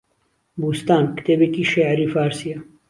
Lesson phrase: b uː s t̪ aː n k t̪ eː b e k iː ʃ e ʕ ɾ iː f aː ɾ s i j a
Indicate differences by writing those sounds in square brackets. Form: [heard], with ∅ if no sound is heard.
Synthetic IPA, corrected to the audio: b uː s t̪ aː n k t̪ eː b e k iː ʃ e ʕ ɾ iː f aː ɾ s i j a